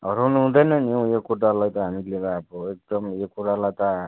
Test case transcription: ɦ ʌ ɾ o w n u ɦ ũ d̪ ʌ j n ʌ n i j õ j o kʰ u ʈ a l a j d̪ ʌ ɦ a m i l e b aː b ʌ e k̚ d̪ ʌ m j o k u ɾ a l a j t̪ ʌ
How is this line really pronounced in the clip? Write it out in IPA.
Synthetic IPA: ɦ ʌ ɾ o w n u ɦ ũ d̪ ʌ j n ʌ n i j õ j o k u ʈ a l a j t̪ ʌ ɦ a m i l e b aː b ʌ e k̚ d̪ ʌ m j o k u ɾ a l a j t̪ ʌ